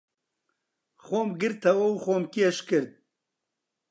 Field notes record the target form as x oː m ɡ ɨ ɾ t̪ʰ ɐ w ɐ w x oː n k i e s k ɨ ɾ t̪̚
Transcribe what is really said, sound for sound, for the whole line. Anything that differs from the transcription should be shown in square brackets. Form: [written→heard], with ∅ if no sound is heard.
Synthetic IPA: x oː m ɡ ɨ ɾ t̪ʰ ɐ w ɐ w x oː [n→m] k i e [s→ʃ] k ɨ ɾ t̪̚